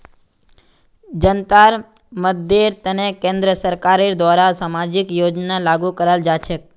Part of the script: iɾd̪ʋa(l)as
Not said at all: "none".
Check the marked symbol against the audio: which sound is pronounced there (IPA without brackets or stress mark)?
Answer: ɾ